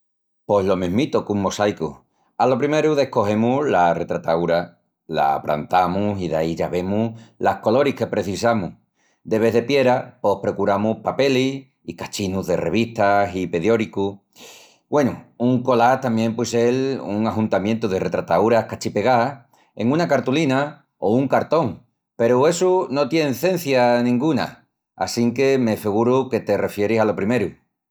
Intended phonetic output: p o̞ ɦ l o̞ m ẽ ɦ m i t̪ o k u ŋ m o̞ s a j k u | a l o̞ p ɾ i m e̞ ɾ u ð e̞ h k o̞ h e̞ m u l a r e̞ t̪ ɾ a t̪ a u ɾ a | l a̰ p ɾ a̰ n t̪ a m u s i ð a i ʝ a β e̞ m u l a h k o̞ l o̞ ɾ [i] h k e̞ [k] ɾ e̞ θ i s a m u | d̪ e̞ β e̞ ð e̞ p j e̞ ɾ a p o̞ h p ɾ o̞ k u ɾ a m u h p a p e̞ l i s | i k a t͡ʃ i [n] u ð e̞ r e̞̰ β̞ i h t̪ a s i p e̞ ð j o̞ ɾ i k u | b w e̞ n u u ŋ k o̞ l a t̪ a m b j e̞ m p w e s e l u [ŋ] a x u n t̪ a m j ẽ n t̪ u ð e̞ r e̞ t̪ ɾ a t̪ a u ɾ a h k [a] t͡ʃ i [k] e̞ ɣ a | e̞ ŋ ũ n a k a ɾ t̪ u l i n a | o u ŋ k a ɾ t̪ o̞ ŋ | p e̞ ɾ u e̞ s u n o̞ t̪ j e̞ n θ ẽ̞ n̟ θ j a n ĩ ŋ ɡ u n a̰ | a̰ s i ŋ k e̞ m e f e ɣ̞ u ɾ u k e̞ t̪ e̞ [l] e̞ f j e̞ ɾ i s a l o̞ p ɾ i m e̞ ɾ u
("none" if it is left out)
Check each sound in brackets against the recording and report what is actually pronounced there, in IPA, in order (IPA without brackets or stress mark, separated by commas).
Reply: i, p, n, ŋ, a, p, r